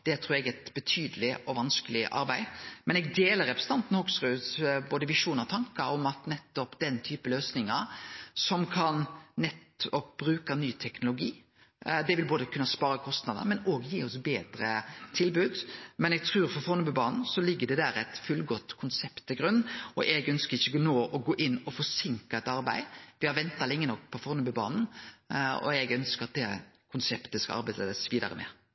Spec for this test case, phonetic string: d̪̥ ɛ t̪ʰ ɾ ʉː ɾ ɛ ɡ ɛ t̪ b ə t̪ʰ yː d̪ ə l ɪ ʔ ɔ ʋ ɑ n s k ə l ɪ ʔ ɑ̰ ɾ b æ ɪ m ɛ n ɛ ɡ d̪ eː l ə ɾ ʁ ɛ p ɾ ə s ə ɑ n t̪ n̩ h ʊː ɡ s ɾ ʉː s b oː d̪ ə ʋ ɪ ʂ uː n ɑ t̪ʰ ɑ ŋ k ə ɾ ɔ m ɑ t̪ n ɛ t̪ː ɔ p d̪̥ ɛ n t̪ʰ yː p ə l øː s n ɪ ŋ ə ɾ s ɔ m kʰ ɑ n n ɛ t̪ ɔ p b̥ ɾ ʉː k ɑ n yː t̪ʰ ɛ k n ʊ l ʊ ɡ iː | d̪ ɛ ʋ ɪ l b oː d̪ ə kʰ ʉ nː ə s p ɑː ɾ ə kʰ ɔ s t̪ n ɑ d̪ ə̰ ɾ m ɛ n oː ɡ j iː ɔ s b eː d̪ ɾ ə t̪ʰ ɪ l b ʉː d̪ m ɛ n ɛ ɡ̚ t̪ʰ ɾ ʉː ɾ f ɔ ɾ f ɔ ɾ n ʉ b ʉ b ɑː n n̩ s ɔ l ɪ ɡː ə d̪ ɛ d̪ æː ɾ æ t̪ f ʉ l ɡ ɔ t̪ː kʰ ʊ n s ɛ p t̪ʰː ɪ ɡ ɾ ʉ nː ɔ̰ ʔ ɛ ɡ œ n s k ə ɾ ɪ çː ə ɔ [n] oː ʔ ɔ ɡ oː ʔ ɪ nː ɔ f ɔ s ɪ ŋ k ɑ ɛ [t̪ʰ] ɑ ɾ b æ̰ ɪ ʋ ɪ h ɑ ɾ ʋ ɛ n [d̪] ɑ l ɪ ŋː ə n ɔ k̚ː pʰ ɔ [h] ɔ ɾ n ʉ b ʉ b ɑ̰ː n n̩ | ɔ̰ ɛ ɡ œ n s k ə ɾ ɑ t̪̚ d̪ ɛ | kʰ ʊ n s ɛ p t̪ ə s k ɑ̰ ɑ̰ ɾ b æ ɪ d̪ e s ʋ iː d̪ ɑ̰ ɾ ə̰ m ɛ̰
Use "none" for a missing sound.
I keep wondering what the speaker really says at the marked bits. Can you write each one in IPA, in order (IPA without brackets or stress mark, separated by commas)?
n, t̪, t̪, f